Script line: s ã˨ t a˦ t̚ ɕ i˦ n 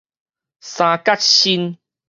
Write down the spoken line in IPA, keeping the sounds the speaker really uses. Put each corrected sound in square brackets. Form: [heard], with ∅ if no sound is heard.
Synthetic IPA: s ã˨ [k] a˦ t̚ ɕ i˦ n

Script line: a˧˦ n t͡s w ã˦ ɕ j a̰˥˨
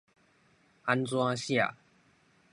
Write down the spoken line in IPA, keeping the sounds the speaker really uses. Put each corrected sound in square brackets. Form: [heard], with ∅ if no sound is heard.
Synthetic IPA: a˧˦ n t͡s w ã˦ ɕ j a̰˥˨

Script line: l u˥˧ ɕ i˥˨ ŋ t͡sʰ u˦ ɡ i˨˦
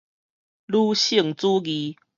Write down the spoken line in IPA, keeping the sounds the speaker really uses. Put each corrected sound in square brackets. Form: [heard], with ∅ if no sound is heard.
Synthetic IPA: l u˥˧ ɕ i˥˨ ŋ [t͡s] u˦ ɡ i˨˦

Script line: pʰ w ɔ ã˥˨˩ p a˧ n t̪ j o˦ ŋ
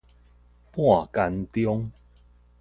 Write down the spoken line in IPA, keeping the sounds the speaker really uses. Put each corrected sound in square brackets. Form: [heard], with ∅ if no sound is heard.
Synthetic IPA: [p] w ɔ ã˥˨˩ [k] a˧ n t̪ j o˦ ŋ

